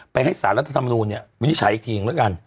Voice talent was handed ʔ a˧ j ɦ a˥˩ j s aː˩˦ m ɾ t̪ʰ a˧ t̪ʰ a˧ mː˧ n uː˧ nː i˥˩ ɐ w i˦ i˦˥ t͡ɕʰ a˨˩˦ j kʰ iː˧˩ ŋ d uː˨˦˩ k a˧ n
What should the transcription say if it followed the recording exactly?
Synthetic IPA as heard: p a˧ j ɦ a˥˩ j s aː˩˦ n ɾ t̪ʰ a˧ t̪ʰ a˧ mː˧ n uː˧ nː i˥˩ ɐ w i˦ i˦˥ t͡ɕʰ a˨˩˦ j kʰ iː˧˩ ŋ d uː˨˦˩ k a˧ n